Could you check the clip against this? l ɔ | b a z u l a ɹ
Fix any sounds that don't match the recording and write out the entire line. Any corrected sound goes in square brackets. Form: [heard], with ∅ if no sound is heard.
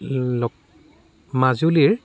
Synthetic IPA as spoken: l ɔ | [m] a z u l [i] ɹ

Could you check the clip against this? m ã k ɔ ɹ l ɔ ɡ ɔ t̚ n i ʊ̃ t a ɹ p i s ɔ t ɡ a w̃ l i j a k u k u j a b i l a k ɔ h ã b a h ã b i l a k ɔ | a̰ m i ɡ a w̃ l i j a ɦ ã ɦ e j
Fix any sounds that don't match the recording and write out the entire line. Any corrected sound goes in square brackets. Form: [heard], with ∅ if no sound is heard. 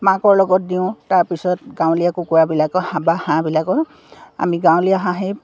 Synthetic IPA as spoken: m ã k ɔ ɹ l ɔ ɡ ɔ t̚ [d] i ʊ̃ t a ɹ p i s ɔ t ɡ a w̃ l i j a k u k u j a b i l a k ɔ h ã b a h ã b i l a k ɔ | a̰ m i ɡ a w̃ l i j a ɦ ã ɦ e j

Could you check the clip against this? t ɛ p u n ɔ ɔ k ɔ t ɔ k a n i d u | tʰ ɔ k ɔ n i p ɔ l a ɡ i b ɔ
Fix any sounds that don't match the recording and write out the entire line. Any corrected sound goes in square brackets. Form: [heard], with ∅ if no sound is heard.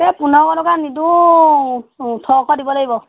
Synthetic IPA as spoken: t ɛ p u n ɔ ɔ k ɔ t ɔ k a n i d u | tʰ ɔ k ɔ [d] i [b] ɔ l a ɡ i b ɔ

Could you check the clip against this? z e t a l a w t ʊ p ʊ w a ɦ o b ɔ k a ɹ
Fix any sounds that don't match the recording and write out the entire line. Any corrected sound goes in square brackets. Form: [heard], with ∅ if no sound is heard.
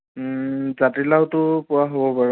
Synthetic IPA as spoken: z [a] t [i] l a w t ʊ p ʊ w a ɦ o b ɔ [p] a ɹ

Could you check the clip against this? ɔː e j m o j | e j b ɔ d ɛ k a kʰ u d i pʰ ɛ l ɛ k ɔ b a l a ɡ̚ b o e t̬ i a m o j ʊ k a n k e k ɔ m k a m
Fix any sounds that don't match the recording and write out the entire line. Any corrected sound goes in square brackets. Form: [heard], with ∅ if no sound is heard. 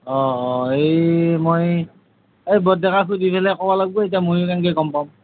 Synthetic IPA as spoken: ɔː e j m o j | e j b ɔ d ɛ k a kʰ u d i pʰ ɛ l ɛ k ɔ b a l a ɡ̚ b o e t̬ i a m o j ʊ k a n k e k ɔ m [p] a m

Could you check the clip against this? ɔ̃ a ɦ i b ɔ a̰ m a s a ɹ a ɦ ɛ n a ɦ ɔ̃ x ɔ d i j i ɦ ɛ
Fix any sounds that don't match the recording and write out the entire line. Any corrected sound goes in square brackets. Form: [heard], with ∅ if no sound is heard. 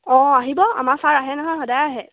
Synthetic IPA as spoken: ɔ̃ a ɦ i b ɔ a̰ m a s a ɹ a ɦ ɛ n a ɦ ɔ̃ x ɔ d [a] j [a] ɦ ɛ

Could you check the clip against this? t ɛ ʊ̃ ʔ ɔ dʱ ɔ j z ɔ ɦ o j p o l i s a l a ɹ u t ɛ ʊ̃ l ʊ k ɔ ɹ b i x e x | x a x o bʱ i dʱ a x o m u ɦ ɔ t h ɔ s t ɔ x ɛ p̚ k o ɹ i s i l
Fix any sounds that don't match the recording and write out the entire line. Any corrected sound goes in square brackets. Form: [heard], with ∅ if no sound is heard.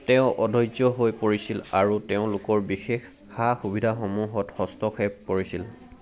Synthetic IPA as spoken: t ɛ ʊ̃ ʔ ɔ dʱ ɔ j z ɔ ɦ o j p o [ɹ] i s [i] l a ɹ u t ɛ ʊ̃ l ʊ k ɔ ɹ b i x e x | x a x [u] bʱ i dʱ a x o m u ɦ ɔ t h ɔ s t ɔ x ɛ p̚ k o ɹ i s i l

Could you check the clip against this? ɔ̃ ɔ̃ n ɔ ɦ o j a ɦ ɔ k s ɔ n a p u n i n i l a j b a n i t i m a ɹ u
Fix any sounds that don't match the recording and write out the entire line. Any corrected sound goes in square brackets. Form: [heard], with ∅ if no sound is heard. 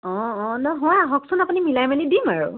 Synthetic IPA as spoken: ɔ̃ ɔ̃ n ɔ ɦ [ɔ] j a ɦ ɔ k s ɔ n a p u n i [m] i l a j [m] a n i [d] i m a ɹ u

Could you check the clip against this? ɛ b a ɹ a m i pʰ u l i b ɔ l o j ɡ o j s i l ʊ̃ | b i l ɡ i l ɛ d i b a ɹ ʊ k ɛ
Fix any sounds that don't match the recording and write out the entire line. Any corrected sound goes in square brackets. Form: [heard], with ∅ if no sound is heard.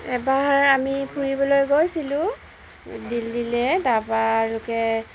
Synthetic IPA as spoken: ɛ b a ɹ a m i pʰ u [ɹ] i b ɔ l o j ɡ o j s i l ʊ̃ | [d] i l [d] i l ɛ d [a] b a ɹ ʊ k ɛ

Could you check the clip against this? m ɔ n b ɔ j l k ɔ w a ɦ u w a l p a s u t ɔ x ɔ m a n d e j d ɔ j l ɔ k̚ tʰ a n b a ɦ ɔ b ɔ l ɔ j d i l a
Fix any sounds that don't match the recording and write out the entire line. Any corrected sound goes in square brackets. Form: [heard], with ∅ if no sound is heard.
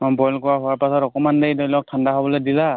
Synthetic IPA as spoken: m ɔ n b ɔ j l k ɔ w a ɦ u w a [ɹ] p a s [ɔ] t ɔ [k] ɔ m a n d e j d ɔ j l ɔ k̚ tʰ a n [d] a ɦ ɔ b ɔ l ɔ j d i l a

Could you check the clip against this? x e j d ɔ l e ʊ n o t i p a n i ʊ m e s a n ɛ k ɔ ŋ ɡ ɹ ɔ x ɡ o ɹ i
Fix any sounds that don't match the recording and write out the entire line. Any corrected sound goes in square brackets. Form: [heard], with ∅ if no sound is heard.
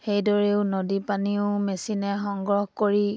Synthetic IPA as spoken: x e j d ɔ [ɹ] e ʊ n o [d] i p a n i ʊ m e s [i] n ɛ [x] ɔ ŋ ɡ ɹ ɔ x [k] o ɹ i

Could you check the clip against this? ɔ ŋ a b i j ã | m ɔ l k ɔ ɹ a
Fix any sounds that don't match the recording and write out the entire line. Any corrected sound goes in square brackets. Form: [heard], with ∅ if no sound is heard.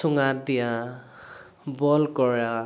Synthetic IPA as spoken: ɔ ŋ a [d] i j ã | [b] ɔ l k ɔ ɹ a

